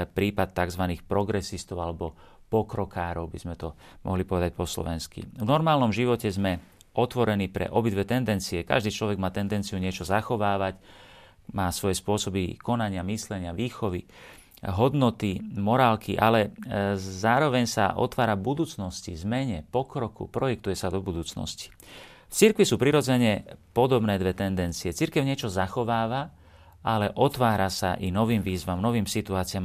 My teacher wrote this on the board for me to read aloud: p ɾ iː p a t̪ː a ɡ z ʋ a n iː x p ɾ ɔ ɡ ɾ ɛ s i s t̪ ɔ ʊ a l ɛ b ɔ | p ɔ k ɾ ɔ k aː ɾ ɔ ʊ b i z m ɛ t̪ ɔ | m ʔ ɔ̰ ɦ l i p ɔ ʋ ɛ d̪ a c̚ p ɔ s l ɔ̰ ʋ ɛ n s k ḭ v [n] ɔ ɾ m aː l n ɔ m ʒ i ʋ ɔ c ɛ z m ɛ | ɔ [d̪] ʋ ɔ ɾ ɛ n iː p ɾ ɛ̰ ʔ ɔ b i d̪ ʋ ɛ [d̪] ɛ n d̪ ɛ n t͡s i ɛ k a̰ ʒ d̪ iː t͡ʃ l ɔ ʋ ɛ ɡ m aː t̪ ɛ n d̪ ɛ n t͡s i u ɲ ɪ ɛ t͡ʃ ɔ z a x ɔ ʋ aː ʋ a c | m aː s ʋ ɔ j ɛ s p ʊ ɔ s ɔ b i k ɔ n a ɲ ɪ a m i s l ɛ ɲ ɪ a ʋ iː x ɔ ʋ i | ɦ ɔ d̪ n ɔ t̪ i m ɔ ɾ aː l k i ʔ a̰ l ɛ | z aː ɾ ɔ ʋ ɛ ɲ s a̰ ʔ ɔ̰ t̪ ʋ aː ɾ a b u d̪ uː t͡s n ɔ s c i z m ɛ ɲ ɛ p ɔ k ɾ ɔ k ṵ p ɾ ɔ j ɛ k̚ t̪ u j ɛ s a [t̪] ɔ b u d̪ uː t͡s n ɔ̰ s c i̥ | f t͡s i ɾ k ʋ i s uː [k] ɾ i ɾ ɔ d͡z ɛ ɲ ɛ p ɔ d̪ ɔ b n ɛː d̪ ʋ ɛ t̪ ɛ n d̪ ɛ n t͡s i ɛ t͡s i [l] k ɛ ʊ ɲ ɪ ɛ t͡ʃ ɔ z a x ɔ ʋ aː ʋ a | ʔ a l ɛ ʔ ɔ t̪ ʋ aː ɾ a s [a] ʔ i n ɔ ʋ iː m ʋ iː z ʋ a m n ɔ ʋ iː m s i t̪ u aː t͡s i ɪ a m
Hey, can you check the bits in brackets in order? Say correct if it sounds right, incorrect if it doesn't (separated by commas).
correct, incorrect, incorrect, incorrect, incorrect, incorrect, correct